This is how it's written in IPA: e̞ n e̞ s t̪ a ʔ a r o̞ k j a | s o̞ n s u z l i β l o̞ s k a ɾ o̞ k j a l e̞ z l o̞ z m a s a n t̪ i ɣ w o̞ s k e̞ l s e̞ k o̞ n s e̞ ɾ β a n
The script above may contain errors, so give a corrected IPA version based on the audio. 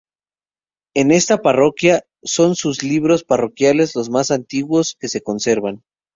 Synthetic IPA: e̞ n e̞ s t̪ a p a r o̞ k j a | s o̞ n s u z l i β ɾ o̞ s p a r o̞ k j a l e̞ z l o̞ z m a s a n t̪ i ɣ w o̞ s k e̞ s e̞ k o̞ n s e̞ ɾ β a n